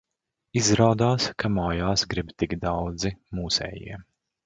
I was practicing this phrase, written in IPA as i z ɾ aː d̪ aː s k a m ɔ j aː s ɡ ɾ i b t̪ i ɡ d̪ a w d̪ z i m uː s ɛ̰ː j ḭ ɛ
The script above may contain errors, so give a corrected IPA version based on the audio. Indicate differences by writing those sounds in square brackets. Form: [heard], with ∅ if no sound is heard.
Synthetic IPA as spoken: i z ɾ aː d̪ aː s k a m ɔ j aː s ɡ ɾ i b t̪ i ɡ d̪ a w d̪ z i m uː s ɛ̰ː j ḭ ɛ